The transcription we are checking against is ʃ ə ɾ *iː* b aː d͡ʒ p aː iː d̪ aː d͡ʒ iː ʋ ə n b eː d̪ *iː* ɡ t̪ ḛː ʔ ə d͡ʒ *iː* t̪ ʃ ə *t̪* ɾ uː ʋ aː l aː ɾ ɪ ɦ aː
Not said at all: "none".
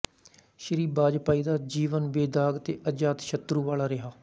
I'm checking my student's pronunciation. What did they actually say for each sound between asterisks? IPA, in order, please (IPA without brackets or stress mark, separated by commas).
iː, aː, aː, t̪